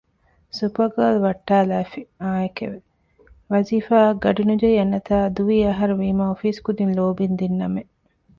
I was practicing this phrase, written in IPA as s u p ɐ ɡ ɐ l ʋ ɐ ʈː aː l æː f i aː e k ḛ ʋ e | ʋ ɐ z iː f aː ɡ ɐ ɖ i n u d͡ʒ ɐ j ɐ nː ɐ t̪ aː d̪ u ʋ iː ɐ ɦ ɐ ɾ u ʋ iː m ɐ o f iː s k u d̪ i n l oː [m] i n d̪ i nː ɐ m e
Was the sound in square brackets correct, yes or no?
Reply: no